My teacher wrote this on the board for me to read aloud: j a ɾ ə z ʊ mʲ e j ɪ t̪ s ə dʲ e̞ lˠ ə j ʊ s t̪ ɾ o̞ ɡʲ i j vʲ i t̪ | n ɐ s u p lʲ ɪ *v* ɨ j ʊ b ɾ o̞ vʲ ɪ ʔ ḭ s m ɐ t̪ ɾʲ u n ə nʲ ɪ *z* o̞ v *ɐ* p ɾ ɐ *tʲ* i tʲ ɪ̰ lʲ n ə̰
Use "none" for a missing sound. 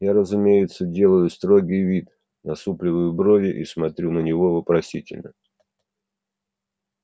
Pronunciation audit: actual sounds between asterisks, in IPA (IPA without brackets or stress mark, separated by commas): v, v, ə, sʲ